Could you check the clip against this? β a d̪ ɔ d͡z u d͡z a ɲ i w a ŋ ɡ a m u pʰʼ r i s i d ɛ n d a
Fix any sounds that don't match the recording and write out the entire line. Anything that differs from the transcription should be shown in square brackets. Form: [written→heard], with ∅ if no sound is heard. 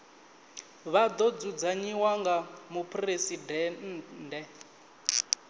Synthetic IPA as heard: β a d̪ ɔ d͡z u d͡z a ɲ i w a ŋ ɡ a m u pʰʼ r [i→e] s i d ɛ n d [a→ɛ]